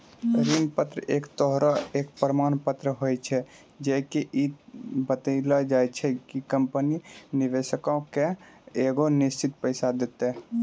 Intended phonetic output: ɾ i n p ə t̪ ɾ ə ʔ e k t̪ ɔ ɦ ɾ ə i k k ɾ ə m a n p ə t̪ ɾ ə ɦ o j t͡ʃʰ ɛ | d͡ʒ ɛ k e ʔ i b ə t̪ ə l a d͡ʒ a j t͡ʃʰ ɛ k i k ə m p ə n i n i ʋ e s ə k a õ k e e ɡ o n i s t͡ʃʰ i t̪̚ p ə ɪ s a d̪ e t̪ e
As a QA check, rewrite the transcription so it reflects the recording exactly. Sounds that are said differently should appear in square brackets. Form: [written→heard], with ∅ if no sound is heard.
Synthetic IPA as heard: ɾ i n p ə t̪ ɾ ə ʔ e k t̪ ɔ ɦ ɾ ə [i→e] k [k→p] ɾ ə m a n p ə t̪ ɾ ə ɦ o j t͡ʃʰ ɛ | d͡ʒ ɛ k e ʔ i b ə t̪ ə l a d͡ʒ a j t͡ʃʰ ɛ k i k ə m p ə n i n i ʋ e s ə k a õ k e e ɡ o n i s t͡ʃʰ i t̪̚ p ə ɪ s a d̪ e t̪ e